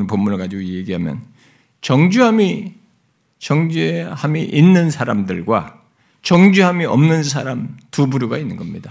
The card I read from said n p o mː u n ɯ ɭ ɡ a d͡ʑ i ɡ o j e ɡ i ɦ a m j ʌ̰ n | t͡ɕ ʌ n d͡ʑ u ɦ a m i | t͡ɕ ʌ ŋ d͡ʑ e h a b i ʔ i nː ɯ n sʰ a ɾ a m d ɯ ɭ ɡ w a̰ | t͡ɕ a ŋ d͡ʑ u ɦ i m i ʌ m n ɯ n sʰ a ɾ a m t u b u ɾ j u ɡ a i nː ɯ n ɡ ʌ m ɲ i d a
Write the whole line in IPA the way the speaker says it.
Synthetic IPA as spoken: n p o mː u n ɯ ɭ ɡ a d͡ʑ i ɡ o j e ɡ i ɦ a m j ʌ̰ n | t͡ɕ ʌ ŋ d͡ʑ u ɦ a m i | t͡ɕ ʌ ŋ d͡ʑ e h a m i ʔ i nː ɯ n sʰ a ɾ a m d ɯ ɭ ɡ w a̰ | t͡ɕ ʌ ŋ d͡ʑ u ɦ a m i ʌ m n ɯ n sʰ a ɾ a m t u b u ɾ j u ɡ a i nː ɯ n ɡ ʌ m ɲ i d a